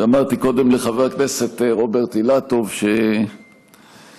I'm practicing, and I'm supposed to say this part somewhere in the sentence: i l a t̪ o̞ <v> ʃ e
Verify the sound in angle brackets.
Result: correct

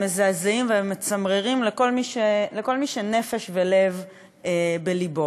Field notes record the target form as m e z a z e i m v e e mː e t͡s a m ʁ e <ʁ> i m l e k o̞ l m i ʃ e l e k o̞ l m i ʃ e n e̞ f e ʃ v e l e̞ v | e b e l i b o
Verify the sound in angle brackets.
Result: correct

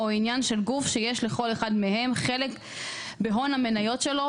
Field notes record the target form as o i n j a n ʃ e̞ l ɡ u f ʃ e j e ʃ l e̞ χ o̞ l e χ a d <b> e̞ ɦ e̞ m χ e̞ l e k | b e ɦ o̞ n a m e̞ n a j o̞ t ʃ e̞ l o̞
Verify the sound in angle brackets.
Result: incorrect: m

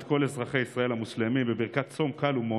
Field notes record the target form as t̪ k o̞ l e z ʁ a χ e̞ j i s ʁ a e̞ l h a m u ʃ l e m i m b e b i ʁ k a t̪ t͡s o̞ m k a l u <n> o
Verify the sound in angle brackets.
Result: incorrect: m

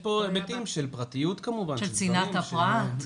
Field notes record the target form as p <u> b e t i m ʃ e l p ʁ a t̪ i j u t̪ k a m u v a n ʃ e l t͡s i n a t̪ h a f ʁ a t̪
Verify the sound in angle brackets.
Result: incorrect: o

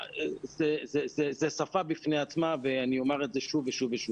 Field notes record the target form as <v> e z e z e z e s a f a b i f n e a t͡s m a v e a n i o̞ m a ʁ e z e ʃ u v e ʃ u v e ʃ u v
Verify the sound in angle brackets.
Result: incorrect: z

